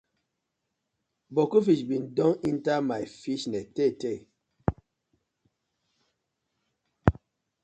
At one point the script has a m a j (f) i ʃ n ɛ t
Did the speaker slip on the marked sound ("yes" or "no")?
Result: no